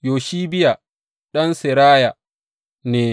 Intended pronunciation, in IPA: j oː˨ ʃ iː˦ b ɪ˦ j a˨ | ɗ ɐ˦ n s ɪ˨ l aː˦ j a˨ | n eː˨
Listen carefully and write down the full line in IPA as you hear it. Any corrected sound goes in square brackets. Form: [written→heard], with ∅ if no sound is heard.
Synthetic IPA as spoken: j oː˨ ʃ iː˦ b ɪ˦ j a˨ | ɗ ɐ˦ n s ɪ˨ [l→ɾ] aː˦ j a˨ | n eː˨